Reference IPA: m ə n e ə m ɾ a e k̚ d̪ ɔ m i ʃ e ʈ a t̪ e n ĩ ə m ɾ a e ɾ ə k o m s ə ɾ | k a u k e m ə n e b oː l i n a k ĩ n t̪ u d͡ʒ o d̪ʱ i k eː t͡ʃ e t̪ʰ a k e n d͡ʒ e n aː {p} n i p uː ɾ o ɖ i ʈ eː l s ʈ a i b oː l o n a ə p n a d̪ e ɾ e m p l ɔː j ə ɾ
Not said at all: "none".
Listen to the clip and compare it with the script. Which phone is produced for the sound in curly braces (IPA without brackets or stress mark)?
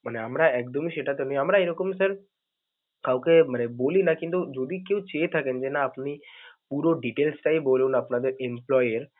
p